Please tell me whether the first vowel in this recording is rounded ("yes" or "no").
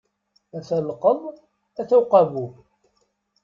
no